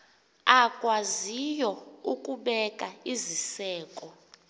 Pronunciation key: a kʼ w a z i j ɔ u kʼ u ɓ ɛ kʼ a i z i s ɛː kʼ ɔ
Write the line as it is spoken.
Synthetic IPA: a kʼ w a z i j ɔ u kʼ u ɓ ɛ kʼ a i z i s ɛː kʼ ɔ